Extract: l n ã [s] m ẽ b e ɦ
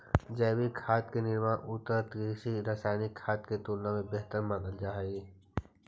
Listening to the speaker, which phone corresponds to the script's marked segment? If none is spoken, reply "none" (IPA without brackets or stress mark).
none